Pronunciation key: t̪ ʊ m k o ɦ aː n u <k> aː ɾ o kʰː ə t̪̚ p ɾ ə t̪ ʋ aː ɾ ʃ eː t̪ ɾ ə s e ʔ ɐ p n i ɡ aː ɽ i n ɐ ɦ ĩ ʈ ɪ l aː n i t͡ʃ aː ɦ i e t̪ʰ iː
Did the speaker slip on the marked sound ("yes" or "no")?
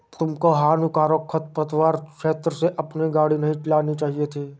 no